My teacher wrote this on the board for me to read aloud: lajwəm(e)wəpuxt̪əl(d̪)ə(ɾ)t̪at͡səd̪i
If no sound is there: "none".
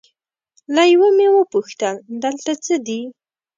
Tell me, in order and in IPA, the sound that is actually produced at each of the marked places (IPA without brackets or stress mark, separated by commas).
e, d̪, l